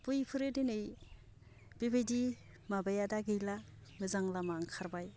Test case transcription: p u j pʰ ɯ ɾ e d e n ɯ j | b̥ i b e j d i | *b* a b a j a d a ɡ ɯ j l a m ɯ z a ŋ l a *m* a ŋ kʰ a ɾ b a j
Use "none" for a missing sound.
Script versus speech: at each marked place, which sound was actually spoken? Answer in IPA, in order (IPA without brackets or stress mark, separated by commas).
m, m